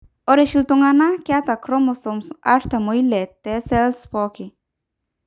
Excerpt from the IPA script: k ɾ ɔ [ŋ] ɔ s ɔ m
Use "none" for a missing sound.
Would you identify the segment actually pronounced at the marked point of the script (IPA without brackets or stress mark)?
m